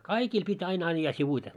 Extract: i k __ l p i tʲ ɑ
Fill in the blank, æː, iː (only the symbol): iː